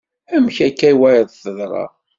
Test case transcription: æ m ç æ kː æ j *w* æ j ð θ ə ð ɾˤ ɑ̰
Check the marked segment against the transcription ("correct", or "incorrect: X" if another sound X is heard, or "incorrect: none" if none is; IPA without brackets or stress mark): correct